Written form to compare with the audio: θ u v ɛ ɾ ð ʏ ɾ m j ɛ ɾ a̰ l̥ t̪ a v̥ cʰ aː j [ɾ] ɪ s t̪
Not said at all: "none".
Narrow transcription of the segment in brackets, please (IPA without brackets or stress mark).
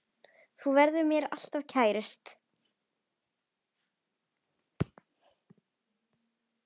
ɾ